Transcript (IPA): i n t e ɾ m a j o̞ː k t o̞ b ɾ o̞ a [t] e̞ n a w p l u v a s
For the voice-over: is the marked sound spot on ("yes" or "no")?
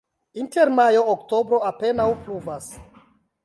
no